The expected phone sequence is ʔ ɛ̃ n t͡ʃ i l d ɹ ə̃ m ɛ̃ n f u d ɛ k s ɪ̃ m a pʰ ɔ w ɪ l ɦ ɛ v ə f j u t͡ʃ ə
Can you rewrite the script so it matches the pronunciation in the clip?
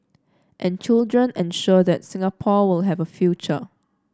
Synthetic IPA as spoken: ʔ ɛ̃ n t͡ʃ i l d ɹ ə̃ n ɛ̃ n ʃ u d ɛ t s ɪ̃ ŋ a pʰ ɔ w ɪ l ɦ ɛ v ə f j u t͡ʃ ə